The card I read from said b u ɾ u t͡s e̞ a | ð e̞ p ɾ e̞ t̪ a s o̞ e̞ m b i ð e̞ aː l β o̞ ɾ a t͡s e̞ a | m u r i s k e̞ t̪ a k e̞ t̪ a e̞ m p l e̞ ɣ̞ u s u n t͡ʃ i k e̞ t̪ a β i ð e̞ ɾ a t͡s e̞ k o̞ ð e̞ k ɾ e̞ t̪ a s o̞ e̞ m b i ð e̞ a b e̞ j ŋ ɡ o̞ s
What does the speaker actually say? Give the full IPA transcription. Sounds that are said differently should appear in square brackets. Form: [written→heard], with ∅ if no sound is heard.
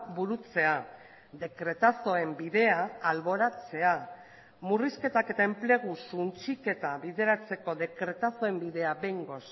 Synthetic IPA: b u ɾ u t͡s e̞ a | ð e̞ [p→k] ɾ e̞ t̪ a s o̞ e̞ m b i ð e̞ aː l β o̞ ɾ a t͡s e̞ a | m u r i s k e̞ t̪ a k e̞ t̪ a e̞ m p l e̞ ɣ̞ u s u n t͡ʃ i k e̞ t̪ a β i ð e̞ ɾ a t͡s e̞ k o̞ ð e̞ k ɾ e̞ t̪ a s o̞ e̞ m b i ð e̞ a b e̞ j ŋ ɡ o̞ s

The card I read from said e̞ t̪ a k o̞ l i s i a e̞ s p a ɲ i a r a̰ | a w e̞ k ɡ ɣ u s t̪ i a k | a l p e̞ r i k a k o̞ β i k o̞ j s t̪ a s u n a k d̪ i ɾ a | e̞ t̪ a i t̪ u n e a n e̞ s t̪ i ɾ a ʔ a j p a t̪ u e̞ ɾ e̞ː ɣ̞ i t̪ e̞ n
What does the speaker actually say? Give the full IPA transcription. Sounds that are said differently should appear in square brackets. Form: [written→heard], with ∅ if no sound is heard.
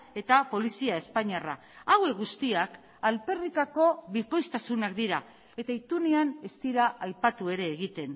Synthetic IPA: e̞ t̪ a [k→p] o̞ l i s i a e̞ s p a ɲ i a r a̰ | a w e̞ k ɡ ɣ u s t̪ i a k | a l p e̞ r i k a k o̞ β i k o̞ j s t̪ a s u n a k d̪ i ɾ a | e̞ t̪ a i t̪ u n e a n e̞ s t̪ i ɾ a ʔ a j p a t̪ u e̞ ɾ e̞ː ɣ̞ i t̪ e̞ n

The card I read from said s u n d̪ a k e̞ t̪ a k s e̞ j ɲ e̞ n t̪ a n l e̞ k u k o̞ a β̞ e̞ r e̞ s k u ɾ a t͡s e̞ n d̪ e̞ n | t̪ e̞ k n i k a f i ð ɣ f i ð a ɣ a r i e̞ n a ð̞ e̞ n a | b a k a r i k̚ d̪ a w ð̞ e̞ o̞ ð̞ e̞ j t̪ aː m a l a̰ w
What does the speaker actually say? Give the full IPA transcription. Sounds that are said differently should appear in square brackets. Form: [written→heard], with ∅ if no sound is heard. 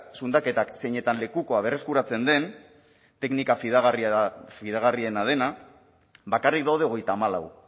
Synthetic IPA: s u n d̪ a k e̞ t̪ a k s e̞ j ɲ e̞ [n→∅] t̪ a n l e̞ k u k o̞ a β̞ e̞ r e̞ s k u ɾ a t͡s e̞ n d̪ e̞ n | t̪ e̞ k n i k a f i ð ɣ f i ð a ɣ a r i e̞ n a ð̞ e̞ n a | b a k a r i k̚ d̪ a w ð̞ e̞ o̞ [ð̞→ɣ̞] e̞ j t̪ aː m a l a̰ w

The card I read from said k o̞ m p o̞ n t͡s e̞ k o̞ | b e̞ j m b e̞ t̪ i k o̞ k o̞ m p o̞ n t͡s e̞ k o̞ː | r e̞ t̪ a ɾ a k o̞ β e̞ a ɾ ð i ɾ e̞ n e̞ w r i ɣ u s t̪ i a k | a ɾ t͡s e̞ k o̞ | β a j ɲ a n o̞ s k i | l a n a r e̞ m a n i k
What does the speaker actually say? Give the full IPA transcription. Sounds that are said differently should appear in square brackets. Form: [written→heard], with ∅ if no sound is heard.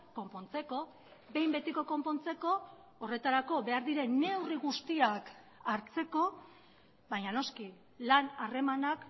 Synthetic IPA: k o̞ m p o̞ n t͡s e̞ k o̞ | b e̞ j m b e̞ t̪ i k o̞ k o̞ m p o̞ n t͡s e̞ k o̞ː | r e̞ t̪ a ɾ a k o̞ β e̞ a ɾ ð i ɾ e̞ n e̞ w r i ɣ u s t̪ i a k | a ɾ t͡s e̞ k o̞ | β a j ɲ a n o̞ s k i | l a n a r e̞ m a n [i→a] k

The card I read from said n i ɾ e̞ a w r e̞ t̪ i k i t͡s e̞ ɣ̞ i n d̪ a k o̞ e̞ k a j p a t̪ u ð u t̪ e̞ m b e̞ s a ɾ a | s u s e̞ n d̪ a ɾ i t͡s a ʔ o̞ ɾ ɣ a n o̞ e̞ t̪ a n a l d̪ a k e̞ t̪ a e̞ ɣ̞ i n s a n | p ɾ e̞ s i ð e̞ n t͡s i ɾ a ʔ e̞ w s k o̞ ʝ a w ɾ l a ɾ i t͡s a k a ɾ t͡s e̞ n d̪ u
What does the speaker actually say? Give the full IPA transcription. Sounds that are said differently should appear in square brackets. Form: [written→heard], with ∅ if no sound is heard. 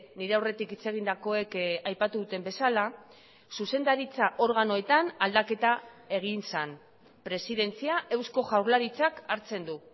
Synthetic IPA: n i ɾ e̞ a w r e̞ t̪ i k i t͡s e̞ ɣ̞ i n d̪ a k o̞ e̞ k a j p a t̪ u ð u t̪ e̞ m b e̞ s a [ɾ→l] a | s u s e̞ n d̪ a ɾ i t͡s a ʔ o̞ ɾ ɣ a n o̞ e̞ t̪ a n a l d̪ a k e̞ t̪ a e̞ ɣ̞ i n s a n | p ɾ e̞ s i ð e̞ n t͡s i [ɾ→∅] a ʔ e̞ w s k o̞ ʝ a w ɾ l a ɾ i t͡s a k a ɾ t͡s e̞ n d̪ u

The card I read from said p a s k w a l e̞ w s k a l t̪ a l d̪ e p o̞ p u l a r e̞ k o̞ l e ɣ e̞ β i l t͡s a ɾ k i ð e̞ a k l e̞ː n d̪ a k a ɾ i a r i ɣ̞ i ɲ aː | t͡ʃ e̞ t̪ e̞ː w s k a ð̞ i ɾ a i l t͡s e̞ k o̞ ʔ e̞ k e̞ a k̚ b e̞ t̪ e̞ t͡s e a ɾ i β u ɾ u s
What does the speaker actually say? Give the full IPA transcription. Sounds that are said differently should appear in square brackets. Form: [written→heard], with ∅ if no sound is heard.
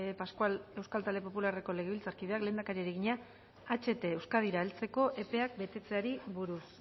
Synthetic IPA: p a s k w a l e̞ w s k a l t̪ a l d̪ e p o̞ p u l a r e̞ k o̞ l e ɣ e̞ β i l t͡s a ɾ k i ð e̞ a k l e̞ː n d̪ a k a ɾ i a [r→ɾ] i ɣ̞ i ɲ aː | t͡ʃ e̞ t̪ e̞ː w s k a ð̞ i ɾ a [i→e] l t͡s e̞ k o̞ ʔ e̞ [k→p] e̞ a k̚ b e̞ t̪ e̞ t͡s e a ɾ i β u ɾ u s

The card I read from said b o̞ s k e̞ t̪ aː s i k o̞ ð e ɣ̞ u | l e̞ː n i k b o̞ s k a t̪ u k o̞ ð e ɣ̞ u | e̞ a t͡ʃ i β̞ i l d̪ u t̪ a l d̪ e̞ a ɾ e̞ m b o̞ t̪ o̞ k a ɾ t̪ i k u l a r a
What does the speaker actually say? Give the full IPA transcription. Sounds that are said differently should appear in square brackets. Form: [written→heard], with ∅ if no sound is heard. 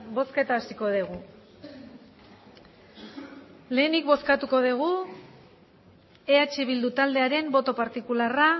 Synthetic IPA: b o̞ s k e̞ t̪ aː s i k o̞ ð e ɣ̞ u | l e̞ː n i k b o̞ s k a t̪ u k o̞ ð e ɣ̞ u | e̞ a t͡ʃ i β̞ i l d̪ u t̪ a l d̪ e̞ a ɾ e̞ m b o̞ t̪ o̞ [k→p] a ɾ t̪ i k u l a r a

